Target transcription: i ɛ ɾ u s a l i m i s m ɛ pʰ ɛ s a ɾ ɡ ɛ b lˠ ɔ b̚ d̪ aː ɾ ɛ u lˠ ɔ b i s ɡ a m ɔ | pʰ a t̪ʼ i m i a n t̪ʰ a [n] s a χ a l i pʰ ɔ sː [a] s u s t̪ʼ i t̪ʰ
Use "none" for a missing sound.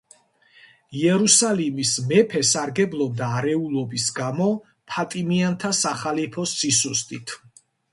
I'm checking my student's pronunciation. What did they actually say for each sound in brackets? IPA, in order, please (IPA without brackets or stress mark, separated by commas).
none, i